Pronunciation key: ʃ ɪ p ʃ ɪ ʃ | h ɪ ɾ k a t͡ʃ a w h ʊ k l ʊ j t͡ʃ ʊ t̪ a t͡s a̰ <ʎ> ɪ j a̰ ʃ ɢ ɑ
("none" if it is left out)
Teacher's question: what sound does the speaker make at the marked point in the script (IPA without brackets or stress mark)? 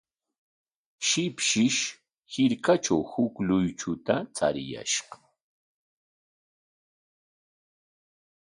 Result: ɾ